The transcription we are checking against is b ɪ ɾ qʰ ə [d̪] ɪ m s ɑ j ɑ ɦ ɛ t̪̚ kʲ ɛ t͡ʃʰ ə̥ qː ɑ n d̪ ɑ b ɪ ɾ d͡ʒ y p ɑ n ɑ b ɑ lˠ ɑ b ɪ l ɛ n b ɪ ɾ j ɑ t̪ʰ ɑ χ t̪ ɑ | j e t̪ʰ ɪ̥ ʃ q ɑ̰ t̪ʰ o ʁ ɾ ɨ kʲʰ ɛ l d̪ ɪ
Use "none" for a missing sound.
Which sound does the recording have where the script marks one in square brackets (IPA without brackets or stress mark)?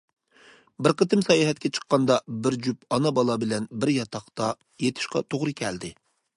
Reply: t̪